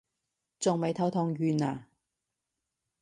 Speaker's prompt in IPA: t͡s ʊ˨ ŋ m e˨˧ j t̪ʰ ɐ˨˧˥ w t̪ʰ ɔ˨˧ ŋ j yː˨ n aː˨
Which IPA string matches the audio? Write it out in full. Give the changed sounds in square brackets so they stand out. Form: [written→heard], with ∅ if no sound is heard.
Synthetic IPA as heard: t͡s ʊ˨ ŋ m e˨˧ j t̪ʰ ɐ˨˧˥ w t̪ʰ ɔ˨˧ ŋ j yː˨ n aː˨